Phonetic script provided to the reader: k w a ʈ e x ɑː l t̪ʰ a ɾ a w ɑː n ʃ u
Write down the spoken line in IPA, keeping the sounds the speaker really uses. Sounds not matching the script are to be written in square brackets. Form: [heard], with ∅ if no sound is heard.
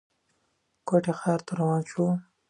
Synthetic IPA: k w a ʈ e x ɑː [ɾ] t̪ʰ a ɾ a w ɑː n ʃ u